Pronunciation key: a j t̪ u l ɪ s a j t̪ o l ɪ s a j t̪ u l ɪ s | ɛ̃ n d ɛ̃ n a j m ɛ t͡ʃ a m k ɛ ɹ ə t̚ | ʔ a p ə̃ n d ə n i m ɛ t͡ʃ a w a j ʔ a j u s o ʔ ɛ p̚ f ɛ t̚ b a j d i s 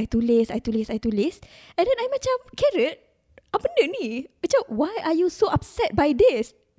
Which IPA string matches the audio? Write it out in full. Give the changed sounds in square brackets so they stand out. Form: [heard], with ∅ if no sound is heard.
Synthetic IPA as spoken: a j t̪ u l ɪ s a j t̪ [u] l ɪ s a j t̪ u l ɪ s | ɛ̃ n d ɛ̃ n a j m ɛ t͡ʃ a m k ɛ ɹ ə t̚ | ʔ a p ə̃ n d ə n i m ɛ t͡ʃ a w a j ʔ a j u s o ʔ [a] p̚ [s] ɛ t̚ b a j d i s